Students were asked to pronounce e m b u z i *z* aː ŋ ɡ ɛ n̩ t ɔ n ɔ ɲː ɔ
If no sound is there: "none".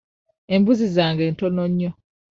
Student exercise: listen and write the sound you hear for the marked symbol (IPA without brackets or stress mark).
z